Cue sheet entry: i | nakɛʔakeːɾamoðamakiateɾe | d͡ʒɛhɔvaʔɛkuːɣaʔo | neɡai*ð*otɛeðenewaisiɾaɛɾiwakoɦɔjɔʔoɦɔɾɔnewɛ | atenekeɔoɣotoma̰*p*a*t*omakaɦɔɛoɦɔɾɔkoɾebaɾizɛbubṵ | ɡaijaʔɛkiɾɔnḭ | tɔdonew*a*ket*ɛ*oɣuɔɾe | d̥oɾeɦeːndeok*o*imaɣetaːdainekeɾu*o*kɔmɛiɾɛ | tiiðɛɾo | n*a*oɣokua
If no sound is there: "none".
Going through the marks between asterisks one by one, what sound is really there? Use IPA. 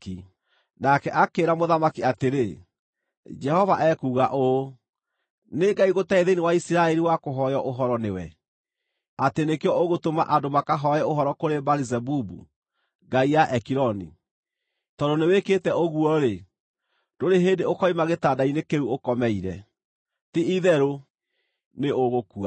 ɣ, ʔ, d, e, ɛ, ɔ, o, e

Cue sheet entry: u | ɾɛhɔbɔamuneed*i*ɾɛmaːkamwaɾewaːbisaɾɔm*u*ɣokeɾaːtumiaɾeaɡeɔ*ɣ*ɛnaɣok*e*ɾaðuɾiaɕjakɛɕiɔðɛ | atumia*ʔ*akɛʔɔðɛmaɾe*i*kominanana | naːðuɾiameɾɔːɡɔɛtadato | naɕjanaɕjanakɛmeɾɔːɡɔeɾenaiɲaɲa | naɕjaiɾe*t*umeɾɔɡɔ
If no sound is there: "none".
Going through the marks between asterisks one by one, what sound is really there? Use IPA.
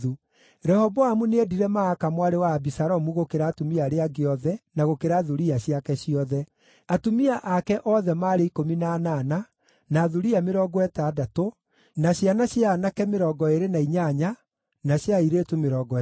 i, u, ð, e, ʔ, i, t

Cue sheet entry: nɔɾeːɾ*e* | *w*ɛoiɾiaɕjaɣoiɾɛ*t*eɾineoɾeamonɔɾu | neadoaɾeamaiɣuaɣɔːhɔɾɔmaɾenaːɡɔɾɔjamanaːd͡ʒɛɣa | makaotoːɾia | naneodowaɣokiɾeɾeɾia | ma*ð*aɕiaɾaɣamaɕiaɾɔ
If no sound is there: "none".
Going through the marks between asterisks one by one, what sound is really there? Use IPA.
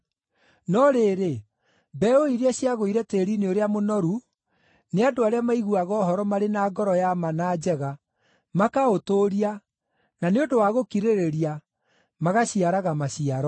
e, b, t, ɣ

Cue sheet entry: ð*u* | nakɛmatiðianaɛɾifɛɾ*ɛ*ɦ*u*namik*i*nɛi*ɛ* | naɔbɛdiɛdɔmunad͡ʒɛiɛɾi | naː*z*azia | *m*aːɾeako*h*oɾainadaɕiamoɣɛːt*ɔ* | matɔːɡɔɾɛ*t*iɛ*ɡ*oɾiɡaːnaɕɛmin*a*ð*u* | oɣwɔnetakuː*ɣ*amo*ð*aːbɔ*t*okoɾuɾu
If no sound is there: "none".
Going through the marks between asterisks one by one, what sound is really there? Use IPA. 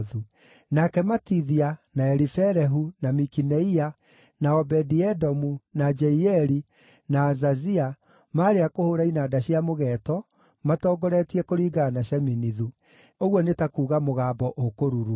u, ɛ, u, i, a, z, m, h, ɔ, t, k, i, u, ɣ, ɣ, ʔ

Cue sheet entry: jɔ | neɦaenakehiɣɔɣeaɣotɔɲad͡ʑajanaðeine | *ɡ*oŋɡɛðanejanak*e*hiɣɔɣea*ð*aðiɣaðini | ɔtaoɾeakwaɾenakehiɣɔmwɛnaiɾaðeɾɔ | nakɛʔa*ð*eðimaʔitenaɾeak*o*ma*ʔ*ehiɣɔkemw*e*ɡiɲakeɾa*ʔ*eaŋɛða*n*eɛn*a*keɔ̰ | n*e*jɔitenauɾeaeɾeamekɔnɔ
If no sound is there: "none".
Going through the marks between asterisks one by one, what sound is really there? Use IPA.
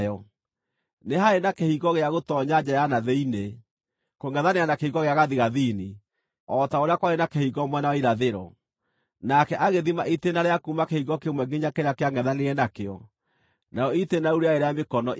k, e, ɣ, ɣ, u, k, ɛ, k, n, a, a

